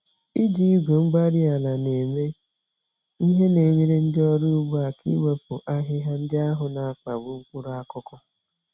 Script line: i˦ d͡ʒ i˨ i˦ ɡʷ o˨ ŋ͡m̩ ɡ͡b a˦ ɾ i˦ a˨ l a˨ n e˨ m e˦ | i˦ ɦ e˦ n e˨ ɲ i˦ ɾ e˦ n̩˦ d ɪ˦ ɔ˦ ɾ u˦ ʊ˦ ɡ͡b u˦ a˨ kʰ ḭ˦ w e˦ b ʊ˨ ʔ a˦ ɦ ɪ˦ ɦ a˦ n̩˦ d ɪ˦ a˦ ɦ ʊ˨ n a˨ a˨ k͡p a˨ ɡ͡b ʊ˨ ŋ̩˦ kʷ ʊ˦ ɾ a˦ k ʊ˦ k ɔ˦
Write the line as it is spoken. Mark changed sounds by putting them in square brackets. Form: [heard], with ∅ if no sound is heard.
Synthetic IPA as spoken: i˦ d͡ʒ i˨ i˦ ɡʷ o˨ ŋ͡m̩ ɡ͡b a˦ ɾ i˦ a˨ l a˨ n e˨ m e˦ | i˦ ɦ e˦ n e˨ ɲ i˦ ɾ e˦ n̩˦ d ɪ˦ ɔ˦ ɾ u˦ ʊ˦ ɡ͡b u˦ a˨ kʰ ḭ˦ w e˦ [p] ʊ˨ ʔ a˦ ɦ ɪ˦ ɦ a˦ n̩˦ d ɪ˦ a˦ ɦ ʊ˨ n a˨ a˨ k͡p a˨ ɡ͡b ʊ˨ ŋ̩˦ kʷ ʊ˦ ɾ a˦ k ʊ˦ k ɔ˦